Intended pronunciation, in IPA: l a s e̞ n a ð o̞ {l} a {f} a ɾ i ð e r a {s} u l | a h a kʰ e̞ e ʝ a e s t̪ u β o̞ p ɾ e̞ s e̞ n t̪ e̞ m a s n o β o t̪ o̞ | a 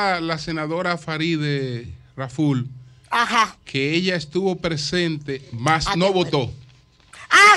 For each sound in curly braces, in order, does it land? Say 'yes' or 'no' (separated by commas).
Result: no, yes, no